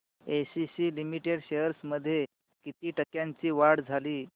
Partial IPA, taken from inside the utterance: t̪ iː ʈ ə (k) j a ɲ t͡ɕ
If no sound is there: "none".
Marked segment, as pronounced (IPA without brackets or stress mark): k